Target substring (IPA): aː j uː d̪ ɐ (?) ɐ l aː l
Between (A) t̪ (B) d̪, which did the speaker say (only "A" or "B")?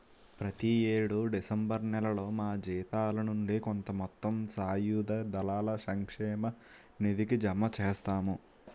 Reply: B